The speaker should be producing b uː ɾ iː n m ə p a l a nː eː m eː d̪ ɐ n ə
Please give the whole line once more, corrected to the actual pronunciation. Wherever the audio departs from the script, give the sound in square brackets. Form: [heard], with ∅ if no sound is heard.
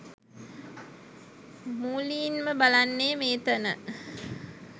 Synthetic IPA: [m] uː [l] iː n m ə [b] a l a nː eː m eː [t̪] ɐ n ə